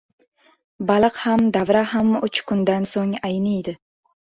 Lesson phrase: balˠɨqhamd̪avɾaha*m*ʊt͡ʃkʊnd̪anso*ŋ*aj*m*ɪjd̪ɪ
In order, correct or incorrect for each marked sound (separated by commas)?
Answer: correct, correct, incorrect